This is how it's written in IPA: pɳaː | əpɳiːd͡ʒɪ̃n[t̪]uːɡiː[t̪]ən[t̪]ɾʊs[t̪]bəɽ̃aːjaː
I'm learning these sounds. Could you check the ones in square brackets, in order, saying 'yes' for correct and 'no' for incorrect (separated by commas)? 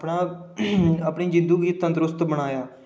no, yes, yes, yes